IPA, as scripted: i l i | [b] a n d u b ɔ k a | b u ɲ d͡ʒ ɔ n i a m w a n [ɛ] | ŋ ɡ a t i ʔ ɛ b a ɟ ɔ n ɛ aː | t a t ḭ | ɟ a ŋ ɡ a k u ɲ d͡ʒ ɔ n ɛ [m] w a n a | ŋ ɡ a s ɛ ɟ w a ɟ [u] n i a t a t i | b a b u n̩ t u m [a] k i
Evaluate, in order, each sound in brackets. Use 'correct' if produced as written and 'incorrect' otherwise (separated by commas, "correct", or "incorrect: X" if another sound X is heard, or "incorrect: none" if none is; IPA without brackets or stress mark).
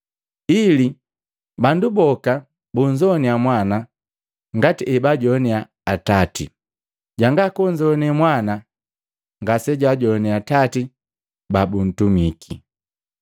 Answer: correct, incorrect: a, correct, incorrect: ɔ, incorrect: i